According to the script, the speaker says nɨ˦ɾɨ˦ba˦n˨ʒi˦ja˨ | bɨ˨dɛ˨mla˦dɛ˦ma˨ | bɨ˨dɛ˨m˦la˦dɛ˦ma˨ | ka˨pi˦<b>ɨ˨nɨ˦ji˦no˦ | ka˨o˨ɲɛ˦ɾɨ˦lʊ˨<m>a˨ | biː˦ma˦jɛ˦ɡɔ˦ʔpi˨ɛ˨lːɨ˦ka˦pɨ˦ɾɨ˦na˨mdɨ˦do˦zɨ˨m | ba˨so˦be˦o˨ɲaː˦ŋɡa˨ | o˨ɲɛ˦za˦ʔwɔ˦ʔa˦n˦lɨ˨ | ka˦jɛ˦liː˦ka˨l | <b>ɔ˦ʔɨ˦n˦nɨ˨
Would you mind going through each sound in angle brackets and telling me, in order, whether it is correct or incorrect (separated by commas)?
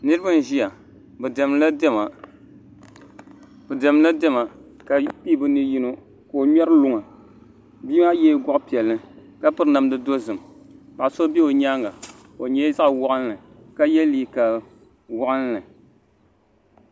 correct, incorrect, incorrect